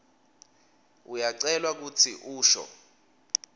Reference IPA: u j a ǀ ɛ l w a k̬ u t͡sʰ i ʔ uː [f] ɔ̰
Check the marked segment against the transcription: incorrect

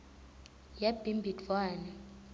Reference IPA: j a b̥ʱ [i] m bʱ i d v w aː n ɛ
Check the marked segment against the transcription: correct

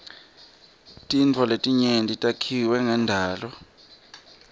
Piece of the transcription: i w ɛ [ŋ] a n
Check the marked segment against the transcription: correct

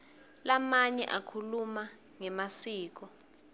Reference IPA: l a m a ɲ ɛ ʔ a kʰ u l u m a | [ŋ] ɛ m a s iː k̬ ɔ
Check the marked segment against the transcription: correct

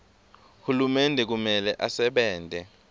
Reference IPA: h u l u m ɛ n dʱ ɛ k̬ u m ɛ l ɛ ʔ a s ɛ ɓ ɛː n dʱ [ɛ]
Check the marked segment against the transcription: correct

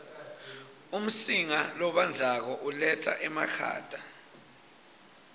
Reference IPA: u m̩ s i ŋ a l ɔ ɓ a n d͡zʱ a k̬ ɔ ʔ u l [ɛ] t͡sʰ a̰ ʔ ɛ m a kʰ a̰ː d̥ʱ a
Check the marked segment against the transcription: correct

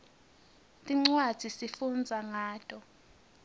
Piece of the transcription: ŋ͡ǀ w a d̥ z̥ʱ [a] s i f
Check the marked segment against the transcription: incorrect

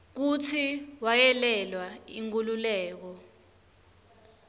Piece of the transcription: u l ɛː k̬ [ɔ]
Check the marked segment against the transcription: correct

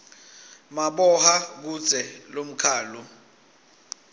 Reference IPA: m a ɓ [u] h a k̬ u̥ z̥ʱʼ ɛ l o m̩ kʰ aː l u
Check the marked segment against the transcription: incorrect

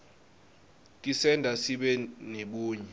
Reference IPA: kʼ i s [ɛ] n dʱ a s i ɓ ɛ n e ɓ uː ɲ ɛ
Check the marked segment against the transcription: correct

